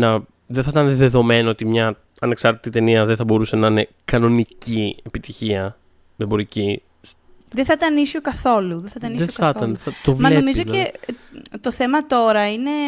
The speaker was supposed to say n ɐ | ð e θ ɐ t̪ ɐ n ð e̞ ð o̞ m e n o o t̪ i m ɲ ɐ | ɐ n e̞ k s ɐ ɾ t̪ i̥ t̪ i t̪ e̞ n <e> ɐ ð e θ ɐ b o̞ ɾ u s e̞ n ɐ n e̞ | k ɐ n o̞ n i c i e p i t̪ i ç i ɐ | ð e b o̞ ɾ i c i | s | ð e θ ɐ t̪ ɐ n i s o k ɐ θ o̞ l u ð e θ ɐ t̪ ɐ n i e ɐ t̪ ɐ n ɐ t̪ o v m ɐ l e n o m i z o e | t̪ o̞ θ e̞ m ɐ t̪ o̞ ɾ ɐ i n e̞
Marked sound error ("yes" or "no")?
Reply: yes